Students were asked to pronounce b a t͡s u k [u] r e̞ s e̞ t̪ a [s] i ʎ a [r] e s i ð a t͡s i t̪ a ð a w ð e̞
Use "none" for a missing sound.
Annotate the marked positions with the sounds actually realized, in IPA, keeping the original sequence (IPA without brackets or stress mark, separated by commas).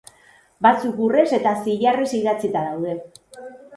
u, s, r